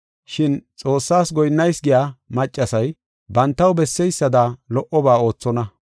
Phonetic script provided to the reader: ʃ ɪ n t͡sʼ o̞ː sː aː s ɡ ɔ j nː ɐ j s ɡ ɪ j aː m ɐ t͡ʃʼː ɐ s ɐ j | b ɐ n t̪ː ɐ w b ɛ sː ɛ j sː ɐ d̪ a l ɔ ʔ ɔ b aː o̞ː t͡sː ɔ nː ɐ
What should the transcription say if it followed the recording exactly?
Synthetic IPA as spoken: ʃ ɪ n t͡sʼ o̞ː sː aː s ɡ ɔ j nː ɐ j s ɡ ɪ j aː m ɐ t͡ʃʼː ɐ s ɐ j | b ɐ n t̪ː ɐ w b ɛ sː ɛ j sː ɐ d̪ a l ɔ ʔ ɔ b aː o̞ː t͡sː ɔ n ɐ